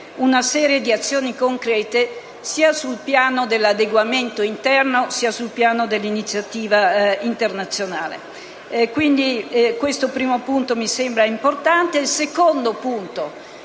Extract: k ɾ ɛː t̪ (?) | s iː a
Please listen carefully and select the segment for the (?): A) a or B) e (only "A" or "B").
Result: B